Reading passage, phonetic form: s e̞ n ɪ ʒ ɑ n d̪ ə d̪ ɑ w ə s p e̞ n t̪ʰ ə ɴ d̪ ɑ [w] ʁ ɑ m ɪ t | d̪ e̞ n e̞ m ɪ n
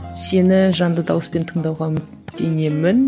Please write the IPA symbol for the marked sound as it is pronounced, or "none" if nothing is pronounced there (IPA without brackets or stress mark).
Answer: w